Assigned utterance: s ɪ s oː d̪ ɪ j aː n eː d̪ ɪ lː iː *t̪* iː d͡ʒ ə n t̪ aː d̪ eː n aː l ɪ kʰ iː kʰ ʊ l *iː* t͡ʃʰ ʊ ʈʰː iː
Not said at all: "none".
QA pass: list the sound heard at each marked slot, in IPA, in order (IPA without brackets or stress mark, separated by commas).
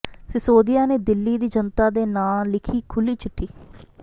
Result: d̪, iː